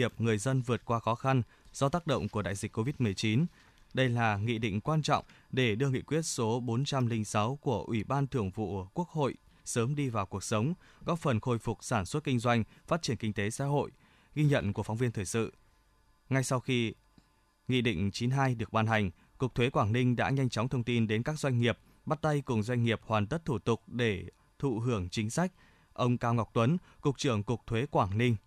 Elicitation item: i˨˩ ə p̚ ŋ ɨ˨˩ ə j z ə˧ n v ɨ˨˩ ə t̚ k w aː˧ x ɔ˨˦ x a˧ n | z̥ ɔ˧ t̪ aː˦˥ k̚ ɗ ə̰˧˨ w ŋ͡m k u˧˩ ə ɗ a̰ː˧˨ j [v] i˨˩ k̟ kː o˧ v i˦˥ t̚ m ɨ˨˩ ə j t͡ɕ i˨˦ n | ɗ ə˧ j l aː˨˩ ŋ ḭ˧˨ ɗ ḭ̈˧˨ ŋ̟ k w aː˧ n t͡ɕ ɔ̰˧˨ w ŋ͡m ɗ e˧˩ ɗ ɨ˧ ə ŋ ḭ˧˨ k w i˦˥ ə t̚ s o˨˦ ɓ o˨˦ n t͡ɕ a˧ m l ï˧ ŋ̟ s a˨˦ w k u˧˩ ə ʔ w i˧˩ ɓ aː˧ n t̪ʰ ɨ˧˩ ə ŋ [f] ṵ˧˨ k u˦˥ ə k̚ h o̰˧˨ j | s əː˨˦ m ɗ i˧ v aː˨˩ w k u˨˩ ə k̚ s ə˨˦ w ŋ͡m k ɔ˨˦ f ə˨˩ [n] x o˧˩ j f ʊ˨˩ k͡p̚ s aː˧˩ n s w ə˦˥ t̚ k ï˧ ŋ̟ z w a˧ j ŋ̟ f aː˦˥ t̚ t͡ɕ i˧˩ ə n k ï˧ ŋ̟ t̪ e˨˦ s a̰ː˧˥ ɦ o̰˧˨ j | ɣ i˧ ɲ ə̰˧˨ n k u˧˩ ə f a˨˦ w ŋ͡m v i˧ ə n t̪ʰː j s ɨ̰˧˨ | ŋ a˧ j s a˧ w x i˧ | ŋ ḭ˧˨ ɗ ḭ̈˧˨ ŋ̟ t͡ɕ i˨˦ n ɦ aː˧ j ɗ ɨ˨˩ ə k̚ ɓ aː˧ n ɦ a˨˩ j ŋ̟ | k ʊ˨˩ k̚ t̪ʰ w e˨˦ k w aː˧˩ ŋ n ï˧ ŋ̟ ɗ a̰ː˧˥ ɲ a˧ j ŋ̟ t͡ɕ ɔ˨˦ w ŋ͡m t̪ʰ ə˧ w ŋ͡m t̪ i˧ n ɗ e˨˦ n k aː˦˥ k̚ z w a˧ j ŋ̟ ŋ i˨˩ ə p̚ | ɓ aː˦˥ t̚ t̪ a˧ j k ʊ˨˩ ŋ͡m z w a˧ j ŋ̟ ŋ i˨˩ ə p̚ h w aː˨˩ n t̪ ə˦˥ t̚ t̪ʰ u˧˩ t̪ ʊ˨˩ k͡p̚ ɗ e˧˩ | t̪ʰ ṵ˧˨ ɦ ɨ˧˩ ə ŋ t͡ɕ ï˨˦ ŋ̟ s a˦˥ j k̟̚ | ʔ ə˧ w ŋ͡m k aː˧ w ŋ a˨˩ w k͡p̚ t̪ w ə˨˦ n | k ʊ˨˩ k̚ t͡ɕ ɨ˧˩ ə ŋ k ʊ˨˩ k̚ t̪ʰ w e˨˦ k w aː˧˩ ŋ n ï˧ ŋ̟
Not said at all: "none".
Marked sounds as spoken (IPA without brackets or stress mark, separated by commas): z, v, n